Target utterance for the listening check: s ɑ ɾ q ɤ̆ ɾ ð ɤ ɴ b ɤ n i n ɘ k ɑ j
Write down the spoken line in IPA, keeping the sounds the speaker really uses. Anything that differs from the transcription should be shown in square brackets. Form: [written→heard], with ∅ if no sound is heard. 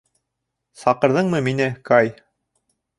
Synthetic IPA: s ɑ [ɾ→∅] q ɤ̆ ɾ ð ɤ ɴ [b→m] ɤ [n→m] i n ɘ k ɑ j